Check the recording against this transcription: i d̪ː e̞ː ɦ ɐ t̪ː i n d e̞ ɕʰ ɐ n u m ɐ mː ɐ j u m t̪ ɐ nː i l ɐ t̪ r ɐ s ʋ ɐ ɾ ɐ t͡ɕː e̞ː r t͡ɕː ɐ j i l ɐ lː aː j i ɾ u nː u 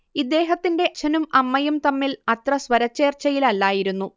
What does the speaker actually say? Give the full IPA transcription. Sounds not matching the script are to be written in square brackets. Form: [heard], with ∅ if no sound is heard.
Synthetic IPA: i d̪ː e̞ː ɦ ɐ t̪ː i n d e̞ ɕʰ ɐ n u m ɐ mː ɐ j u m t̪ ɐ [mː] i l ɐ t̪ r ɐ s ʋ ɐ ɾ ɐ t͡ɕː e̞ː r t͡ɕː ɐ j i l ɐ lː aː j i ɾ u nː u

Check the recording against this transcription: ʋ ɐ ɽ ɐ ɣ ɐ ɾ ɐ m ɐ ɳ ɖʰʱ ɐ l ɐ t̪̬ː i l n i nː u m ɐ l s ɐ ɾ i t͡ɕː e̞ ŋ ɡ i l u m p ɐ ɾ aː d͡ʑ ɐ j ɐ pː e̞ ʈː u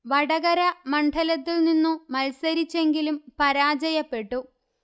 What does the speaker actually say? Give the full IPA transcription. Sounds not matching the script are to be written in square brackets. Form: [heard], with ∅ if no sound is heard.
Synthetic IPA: ʋ ɐ ɽ ɐ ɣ ɐ ɾ ɐ m ɐ ɳ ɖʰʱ ɐ l ɐ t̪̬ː i l n i nː u m ɐ l s ɐ ɾ i t͡ɕː e̞ ŋ ɡ i l u m p ɐ ɾ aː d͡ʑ ɐ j ɐ pː e̞ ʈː u

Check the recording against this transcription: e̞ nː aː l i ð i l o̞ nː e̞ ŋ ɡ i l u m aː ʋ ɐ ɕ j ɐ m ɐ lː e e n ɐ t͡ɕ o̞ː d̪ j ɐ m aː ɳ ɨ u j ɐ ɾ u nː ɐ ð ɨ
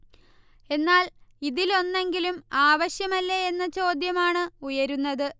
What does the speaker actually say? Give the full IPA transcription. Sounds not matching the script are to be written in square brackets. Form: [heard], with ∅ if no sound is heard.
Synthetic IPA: e̞ nː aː l i ð i l o̞ nː e̞ ŋ ɡ i l u m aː ʋ ɐ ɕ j ɐ m ɐ lː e e [nː] ɐ t͡ɕ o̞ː d̪ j ɐ m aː ɳ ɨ u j ɐ ɾ u nː ɐ ð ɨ

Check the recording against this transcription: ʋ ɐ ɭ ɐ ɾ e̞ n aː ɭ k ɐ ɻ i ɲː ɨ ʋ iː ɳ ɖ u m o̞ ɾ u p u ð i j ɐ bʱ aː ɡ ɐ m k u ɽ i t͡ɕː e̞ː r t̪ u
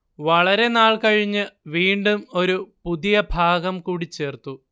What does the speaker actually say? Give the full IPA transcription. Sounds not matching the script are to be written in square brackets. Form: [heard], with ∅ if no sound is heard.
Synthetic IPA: ʋ ɐ ɭ ɐ ɾ e̞ n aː ɭ k ɐ ɻ i ɲː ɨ ʋ iː ɳ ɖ u m o̞ ɾ u p u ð i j ɐ bʱ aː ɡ ɐ m k [uː] ɽ i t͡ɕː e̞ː r t̪ u

